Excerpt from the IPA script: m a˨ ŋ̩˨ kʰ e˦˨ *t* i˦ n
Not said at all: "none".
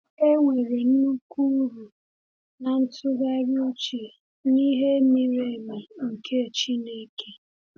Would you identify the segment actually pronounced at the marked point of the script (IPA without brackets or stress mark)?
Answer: t͡ʃ